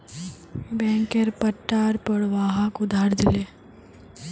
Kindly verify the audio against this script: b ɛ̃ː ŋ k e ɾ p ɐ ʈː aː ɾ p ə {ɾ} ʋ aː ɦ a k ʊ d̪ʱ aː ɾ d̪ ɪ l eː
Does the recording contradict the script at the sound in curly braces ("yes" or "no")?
yes